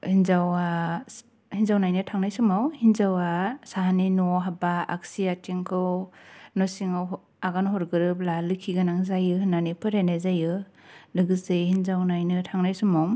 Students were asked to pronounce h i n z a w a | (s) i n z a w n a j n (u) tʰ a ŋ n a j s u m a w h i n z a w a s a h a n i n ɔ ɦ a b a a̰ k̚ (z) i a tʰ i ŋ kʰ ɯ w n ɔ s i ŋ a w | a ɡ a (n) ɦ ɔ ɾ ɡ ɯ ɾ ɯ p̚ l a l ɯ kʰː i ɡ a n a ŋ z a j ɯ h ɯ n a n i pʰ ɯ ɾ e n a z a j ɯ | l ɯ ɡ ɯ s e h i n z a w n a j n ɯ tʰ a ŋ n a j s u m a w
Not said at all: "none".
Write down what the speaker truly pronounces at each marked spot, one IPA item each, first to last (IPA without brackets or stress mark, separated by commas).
h, ɯ, s, n